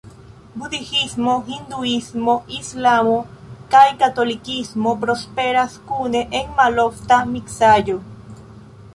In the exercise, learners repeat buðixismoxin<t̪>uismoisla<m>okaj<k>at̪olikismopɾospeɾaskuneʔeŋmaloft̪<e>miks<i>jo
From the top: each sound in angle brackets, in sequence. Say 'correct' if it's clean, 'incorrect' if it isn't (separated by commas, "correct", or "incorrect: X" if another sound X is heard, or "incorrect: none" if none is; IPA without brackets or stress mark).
incorrect: d̪, correct, correct, incorrect: a, incorrect: a